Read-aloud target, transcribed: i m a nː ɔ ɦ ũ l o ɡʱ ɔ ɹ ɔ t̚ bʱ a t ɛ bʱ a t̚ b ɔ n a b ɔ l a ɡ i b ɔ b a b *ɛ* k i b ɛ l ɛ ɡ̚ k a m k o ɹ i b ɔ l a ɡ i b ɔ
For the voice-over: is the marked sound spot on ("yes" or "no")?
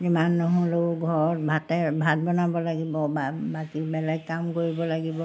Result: no